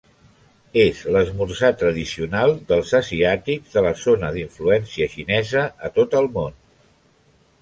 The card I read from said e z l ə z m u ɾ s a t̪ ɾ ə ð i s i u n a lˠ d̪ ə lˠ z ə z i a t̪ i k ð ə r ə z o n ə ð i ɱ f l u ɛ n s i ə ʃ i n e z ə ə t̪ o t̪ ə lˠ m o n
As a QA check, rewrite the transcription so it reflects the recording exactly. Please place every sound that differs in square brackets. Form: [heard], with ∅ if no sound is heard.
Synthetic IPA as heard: e z l ə z m u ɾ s a t̪ ɾ ə ð i s i u n a lˠ d̪ ə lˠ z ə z i a t̪ i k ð ə [l] ə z o n ə ð i ɱ f l u ɛ n s i ə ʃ i n [ɛ] z ə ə t̪ o t̪ ə lˠ m o n